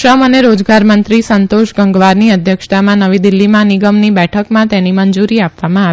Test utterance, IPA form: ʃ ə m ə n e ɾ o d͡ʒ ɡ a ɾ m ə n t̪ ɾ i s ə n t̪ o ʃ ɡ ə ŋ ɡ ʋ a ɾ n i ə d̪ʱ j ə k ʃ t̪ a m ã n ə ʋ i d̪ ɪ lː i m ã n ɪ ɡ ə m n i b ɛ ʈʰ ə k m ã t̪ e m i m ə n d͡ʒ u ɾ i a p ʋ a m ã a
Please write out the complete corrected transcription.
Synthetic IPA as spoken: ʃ ə m ə n e ɾ o d͡ʒ ɡ a ɾ m ə n t̪ ɾ i s ə n t̪ o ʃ ɡ ə ŋ ɡ ʋ a ɾ n i ə d̪ʱ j ə k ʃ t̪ a m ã n ə ʋ i d̪ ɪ lː i m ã n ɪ ɡ ə m n i b ɛ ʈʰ ə k m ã t̪ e n i m ə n d͡ʒ u ɾ i a p ʋ a m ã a